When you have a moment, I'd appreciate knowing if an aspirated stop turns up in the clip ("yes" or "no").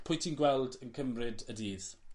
yes